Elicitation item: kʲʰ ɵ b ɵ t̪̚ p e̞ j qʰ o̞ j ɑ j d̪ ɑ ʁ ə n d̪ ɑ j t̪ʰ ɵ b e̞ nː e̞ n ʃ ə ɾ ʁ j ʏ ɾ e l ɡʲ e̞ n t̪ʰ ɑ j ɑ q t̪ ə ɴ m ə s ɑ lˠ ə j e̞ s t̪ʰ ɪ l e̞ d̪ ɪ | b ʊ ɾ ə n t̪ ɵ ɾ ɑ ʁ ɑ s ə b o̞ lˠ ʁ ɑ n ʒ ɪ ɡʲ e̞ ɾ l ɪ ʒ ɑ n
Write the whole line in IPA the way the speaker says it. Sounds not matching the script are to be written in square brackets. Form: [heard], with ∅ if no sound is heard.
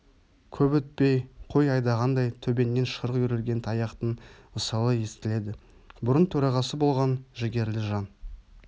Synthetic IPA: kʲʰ ɵ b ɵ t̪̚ p e̞ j qʰ o̞ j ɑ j d̪ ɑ ʁ [ɑ] n d̪ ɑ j t̪ʰ ɵ b e̞ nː e̞ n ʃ ə ɾ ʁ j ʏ ɾ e l ɡʲ e̞ n t̪ʰ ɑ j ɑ q t̪ ə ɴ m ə s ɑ lˠ ə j e̞ s [t̪] ɪ l e̞ d̪ ɪ | b ʊ ɾ ə n [t̪ʰ] ɵ ɾ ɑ ʁ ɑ s ə b o̞ lˠ ʁ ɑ n ʒ ɪ ɡʲ e̞ ɾ l ɪ ʒ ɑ n